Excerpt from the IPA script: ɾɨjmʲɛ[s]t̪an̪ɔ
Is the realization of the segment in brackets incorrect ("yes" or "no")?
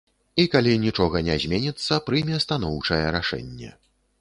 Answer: no